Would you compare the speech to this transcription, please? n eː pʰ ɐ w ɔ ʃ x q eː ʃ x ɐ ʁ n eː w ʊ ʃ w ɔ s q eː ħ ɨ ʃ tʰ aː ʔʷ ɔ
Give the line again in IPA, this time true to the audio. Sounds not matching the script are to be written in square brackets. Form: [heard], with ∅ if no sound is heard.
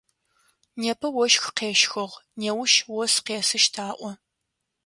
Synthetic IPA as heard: n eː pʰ ɐ w ɔ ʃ x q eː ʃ x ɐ ʁ n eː w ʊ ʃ w ɔ s q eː [s] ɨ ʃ tʰ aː ʔʷ ɔ